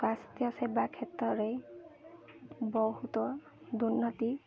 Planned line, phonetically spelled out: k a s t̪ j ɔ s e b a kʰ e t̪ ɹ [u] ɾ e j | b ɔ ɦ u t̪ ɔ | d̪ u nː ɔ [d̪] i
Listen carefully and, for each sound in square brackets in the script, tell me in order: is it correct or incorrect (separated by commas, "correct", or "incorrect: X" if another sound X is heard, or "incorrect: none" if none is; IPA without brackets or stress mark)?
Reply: incorrect: ɔ, incorrect: t̪